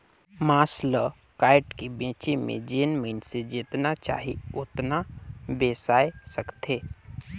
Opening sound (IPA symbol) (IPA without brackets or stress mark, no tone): m